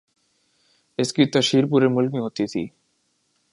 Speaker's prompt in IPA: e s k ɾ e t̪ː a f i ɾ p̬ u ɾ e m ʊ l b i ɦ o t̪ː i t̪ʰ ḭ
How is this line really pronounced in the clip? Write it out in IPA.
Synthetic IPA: e s k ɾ i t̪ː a ʃ i ɾ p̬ u ɾ e m u l m i ɦ o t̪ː i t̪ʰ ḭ